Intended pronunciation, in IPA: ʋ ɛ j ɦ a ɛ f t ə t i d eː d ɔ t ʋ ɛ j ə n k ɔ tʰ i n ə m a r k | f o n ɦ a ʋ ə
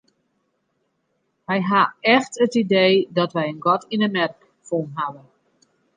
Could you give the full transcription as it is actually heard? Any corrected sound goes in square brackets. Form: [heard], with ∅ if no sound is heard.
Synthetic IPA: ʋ ɛ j ɦ a ɛ [x] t ə t i d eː d ɔ t ʋ ɛ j ə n [ɡ] ɔ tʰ i n ə m [ɛ] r k | f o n ɦ a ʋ ə